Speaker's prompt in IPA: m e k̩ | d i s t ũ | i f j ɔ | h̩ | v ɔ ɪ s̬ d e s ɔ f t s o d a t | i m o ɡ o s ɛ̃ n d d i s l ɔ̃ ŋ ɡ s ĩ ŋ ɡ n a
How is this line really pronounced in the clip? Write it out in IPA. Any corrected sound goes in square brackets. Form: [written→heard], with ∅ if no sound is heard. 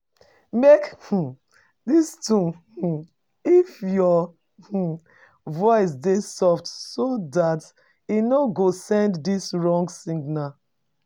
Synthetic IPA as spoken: m e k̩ | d i s t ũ | i f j ɔ | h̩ | v ɔ ɪ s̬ d e s ɔ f t s o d a t | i [m→n] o ɡ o s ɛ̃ n d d i s [l→ɹ] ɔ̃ ŋ ɡ s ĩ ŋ ɡ n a